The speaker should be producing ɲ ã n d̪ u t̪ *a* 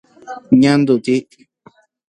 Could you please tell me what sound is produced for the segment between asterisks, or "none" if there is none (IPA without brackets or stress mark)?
i